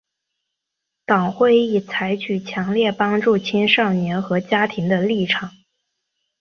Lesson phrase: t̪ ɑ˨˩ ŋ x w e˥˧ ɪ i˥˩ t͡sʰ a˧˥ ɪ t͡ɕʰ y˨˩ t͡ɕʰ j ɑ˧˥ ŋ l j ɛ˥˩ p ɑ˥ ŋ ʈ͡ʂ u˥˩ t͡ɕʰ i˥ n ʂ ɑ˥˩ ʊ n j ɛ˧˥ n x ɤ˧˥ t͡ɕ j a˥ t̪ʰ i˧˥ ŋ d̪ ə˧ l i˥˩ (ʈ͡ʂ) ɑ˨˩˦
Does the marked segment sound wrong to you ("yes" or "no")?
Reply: yes